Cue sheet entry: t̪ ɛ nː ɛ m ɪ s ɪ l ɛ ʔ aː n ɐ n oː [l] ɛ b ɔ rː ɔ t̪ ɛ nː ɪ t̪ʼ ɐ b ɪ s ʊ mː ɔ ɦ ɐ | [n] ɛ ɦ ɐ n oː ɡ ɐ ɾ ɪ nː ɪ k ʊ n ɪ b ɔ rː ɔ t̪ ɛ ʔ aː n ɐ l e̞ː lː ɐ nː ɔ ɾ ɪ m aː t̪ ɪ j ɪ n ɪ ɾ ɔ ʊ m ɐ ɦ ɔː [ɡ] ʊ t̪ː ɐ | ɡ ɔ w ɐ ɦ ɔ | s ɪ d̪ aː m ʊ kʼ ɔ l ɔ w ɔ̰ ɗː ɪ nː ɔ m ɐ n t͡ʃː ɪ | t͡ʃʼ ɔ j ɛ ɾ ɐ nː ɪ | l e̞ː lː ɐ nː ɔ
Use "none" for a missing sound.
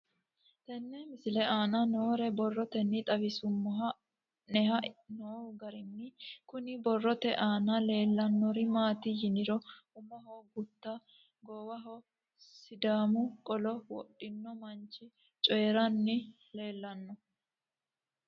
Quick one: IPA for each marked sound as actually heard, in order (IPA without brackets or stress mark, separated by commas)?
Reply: ɾ, n, ɡ